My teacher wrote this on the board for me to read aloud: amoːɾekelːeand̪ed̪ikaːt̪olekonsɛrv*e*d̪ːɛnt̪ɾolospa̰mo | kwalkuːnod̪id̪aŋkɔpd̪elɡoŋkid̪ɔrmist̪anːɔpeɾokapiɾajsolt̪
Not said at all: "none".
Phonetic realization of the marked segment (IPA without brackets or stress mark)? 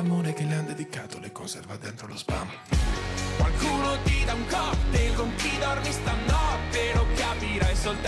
a